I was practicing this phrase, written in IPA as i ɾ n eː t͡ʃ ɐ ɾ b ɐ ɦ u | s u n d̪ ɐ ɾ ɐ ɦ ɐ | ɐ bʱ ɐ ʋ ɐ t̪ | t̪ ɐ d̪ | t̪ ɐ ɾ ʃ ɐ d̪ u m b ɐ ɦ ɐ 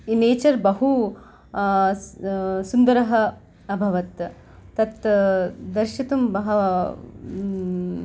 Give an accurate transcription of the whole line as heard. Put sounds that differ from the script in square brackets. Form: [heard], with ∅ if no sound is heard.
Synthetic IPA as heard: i [∅] n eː t͡ʃ ɐ ɾ b ɐ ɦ u | s u n d̪ ɐ ɾ ɐ ɦ ɐ | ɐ bʱ ɐ ʋ ɐ t̪ | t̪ ɐ [t̪] | [d̪] ɐ ɾ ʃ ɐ [t̪] u m b ɐ ɦ ɐ